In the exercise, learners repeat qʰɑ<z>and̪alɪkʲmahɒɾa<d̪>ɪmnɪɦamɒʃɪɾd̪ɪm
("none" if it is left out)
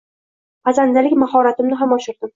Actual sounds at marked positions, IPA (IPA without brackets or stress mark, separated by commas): z, t̪